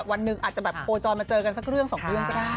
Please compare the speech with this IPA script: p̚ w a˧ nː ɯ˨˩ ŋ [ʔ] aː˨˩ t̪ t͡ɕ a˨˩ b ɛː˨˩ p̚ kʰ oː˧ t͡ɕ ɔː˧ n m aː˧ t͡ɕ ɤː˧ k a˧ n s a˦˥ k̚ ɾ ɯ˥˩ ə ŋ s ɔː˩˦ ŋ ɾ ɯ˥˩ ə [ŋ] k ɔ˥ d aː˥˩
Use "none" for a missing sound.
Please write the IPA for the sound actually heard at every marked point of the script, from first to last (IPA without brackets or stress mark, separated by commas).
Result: ʔ, ŋ